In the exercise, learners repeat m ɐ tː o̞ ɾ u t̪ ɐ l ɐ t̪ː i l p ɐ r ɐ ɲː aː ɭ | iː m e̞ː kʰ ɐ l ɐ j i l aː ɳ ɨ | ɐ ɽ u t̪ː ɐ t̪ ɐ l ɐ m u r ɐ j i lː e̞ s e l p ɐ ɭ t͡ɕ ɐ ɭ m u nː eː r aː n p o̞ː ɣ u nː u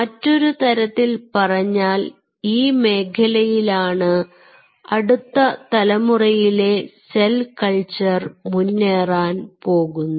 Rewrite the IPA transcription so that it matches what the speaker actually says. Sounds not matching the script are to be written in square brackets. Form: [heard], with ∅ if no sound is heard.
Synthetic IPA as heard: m ɐ tː o̞ ɾ u t̪ ɐ [ɾ] ɐ t̪ː i l p ɐ r ɐ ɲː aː [l] | iː m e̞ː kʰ ɐ l ɐ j i l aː ɳ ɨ | ɐ ɽ u t̪ː ɐ t̪ ɐ l ɐ m u r ɐ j i [l] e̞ s e l [k] ɐ ɭ t͡ɕ ɐ [r] m u nː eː r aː n p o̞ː ɣ u nː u

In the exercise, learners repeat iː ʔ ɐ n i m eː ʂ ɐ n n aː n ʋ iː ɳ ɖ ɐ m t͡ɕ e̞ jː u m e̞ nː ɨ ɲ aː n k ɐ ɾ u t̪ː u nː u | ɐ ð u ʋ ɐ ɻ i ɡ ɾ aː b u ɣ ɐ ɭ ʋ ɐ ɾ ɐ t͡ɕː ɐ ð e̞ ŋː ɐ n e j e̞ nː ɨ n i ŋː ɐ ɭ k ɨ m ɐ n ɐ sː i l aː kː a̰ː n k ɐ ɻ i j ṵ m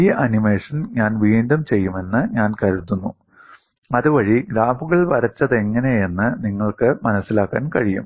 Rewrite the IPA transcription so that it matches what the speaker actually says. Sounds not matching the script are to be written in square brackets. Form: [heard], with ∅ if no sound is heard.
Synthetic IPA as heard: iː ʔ ɐ n i m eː ʂ ɐ n [ɲ] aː n ʋ iː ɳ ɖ ɐ m t͡ɕ e̞ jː u m e̞ nː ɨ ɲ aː n k ɐ ɾ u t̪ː u nː u | ɐ ð u ʋ ɐ ɻ i ɡ ɾ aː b u ɣ ɐ ɭ ʋ ɐ ɾ ɐ t͡ɕː ɐ ð e̞ ŋː ɐ n e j e̞ nː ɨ n i ŋː ɐ ɭ k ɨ m ɐ n ɐ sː i l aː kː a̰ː n k ɐ ɻ i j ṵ m

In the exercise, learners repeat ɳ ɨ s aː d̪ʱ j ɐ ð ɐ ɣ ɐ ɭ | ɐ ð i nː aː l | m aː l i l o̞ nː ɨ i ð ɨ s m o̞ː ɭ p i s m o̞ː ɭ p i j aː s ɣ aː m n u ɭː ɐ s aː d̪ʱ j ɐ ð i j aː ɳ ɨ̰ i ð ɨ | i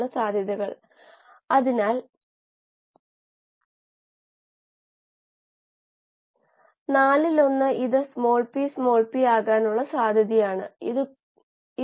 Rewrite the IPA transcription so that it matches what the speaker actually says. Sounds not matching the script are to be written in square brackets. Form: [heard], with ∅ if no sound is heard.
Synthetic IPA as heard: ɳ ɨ s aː d̪ʱ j ɐ ð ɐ ɣ ɐ ɭ | ɐ ð i [n] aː l | [n] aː l i l o̞ nː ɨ i ð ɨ s m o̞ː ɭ p i s m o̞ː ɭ p i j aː [∅] ɣ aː [∅] n u ɭː ɐ s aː d̪ʱ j ɐ ð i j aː ɳ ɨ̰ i ð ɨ | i

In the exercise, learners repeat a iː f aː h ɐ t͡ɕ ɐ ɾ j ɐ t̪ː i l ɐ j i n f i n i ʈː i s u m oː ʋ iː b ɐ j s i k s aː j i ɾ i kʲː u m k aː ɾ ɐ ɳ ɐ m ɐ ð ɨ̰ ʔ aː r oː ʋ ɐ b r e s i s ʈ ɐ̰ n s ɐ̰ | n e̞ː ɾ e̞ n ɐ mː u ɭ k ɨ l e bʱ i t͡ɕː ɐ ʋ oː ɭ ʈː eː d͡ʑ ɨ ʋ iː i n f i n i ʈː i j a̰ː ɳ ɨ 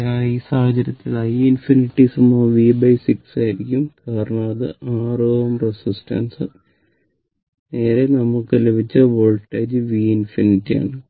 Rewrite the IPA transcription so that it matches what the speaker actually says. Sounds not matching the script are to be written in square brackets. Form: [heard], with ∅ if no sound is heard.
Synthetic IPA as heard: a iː [s] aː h ɐ t͡ɕ ɐ ɾ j ɐ t̪ː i l ɐ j i n f i n i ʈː i s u m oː ʋ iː b ɐ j s i k s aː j i ɾ i kʲː u m k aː ɾ ɐ ɳ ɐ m ɐ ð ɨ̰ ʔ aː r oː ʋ ɐ [m] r e s i s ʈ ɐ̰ n s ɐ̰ | n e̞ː ɾ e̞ n ɐ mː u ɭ k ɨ l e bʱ i t͡ɕː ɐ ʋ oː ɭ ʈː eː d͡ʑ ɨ ʋ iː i n f i n i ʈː i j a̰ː ɳ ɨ

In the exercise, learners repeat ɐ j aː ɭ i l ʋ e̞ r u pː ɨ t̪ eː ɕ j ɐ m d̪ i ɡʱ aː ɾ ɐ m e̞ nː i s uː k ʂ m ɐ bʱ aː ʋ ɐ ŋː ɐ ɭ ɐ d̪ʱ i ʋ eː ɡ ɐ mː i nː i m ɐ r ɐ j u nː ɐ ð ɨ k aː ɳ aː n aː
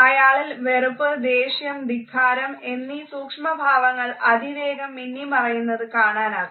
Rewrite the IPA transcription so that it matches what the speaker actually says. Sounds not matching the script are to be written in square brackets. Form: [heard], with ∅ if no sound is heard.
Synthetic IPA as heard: ɐ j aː ɭ i l ʋ e̞ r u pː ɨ [d̪] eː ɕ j ɐ m d̪ i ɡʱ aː ɾ ɐ m e̞ nː i s uː k ʂ m ɐ bʱ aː ʋ ɐ ŋː ɐ ɭ ɐ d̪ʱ i ʋ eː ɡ ɐ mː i nː i m ɐ r ɐ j u nː ɐ ð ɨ k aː ɳ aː n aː

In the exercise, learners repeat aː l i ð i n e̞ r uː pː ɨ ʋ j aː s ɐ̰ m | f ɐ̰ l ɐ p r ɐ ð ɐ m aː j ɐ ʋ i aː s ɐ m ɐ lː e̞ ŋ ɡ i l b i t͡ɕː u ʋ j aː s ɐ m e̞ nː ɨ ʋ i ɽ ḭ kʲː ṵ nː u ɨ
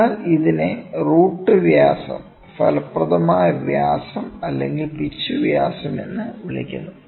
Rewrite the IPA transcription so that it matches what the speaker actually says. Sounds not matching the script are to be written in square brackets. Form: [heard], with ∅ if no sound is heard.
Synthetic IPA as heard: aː l i ð i n e̞ r uː [ʈː] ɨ ʋ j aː s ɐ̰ m | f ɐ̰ l ɐ p r ɐ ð ɐ m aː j ɐ ʋ [j] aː s ɐ m ɐ lː e̞ ŋ ɡ i l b i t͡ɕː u ʋ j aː s ɐ m e̞ nː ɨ ʋ i [ɭ] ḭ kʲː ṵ nː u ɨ

